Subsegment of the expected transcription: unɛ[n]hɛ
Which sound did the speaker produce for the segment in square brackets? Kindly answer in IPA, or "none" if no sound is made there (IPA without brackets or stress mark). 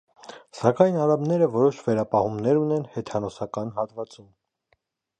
n